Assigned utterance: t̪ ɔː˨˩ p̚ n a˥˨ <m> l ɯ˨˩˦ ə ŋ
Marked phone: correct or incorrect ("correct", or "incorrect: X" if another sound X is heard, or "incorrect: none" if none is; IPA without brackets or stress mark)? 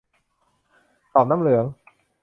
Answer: correct